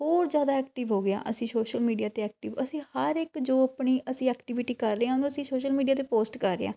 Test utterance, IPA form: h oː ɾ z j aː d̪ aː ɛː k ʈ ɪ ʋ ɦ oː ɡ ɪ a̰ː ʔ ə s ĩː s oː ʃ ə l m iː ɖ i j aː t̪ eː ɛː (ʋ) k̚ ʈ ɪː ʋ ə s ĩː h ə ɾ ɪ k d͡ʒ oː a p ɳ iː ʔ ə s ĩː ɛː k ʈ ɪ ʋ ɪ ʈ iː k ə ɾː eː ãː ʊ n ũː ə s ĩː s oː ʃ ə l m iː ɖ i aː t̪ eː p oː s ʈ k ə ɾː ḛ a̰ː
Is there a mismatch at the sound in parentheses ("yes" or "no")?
yes